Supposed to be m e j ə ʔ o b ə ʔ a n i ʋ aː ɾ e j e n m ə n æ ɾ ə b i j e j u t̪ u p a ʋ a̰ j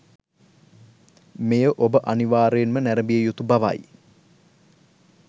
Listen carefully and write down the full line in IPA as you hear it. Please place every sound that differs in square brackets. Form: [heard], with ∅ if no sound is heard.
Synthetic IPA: m e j ə ʔ o b ə ʔ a n i ʋ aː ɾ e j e n m ə n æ ɾ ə b i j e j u t̪ u [b] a ʋ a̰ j